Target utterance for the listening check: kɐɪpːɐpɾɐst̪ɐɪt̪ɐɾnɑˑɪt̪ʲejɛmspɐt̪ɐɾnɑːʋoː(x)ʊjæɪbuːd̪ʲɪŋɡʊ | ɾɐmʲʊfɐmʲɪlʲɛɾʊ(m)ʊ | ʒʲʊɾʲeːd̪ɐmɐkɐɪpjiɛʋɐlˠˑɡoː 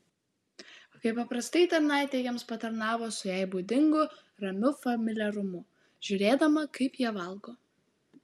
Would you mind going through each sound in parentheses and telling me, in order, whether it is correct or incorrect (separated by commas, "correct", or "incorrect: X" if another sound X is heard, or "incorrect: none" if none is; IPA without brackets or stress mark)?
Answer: incorrect: s, correct